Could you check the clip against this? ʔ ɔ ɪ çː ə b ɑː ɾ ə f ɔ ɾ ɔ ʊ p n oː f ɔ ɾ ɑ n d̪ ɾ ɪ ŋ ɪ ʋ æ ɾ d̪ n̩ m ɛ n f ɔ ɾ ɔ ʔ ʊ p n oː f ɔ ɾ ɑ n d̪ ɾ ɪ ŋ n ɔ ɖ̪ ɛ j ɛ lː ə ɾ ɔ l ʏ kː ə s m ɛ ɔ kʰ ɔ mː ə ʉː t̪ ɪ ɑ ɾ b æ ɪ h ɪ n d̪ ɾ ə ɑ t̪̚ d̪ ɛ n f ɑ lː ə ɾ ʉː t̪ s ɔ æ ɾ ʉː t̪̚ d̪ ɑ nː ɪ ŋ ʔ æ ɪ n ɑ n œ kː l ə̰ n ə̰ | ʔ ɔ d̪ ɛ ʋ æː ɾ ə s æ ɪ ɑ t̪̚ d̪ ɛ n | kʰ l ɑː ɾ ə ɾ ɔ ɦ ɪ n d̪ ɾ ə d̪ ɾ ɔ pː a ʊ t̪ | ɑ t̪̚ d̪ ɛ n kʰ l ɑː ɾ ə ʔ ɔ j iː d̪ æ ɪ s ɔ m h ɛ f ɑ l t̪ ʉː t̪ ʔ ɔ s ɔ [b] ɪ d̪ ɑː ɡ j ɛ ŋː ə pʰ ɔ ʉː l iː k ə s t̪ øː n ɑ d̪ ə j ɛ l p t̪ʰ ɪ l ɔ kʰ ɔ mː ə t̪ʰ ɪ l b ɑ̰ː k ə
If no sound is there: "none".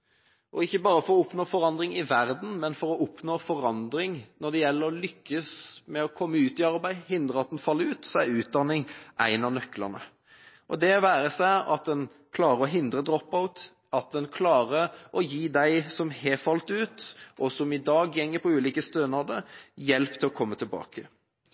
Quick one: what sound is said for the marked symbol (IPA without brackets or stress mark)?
m